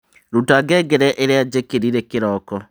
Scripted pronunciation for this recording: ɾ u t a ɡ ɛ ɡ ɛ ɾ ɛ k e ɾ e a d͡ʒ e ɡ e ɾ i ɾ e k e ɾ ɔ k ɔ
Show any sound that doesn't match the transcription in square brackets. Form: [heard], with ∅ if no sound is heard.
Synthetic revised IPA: ɾ u t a ɡ ɛ ɡ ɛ ɾ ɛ [ʔ] e ɾ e a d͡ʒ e [k] e ɾ i ɾ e k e ɾ ɔ k ɔ

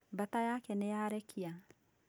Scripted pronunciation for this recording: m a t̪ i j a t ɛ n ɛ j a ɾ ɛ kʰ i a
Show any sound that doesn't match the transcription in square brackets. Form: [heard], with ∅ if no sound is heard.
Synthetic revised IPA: [b] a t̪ [a] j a [k] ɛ n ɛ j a ɾ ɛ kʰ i a

